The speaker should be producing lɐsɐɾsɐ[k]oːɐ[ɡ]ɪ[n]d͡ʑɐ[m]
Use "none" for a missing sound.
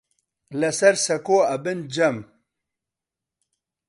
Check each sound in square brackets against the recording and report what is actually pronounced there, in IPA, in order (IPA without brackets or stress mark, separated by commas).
k, b, n, m